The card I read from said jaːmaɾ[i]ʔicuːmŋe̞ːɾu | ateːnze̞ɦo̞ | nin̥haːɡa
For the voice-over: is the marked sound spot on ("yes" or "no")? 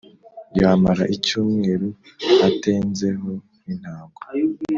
no